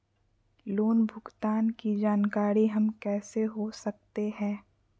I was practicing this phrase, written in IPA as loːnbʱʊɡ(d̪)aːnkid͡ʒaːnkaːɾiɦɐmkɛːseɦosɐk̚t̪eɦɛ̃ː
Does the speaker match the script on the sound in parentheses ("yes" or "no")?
no